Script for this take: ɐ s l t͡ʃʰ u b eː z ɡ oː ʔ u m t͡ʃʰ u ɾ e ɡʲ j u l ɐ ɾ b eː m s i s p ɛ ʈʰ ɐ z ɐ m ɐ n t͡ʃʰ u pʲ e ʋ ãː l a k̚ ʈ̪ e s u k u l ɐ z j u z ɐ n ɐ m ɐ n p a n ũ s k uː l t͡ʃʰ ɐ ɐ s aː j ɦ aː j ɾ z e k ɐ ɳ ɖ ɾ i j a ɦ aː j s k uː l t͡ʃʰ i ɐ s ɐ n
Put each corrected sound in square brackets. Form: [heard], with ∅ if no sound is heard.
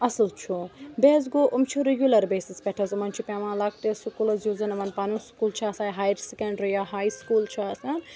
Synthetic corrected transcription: ɐ s l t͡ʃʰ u b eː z ɡ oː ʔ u m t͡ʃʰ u ɾ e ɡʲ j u l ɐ ɾ b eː [∅] s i s p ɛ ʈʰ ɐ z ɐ m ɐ n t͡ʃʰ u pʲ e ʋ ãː l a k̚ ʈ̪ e s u k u l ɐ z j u z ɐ n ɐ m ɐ n p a n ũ s k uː l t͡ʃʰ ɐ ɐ s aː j ɦ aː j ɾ [s] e k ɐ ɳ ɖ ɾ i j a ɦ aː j s k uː l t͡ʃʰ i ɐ s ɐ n